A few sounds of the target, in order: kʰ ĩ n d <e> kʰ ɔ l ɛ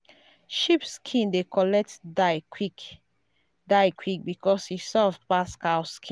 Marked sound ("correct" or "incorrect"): correct